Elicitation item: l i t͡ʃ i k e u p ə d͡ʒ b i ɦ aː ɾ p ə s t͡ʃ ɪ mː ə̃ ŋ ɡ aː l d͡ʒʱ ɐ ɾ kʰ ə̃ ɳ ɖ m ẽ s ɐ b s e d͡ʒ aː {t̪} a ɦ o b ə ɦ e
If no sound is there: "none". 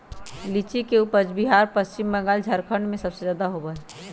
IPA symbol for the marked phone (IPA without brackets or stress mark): d̪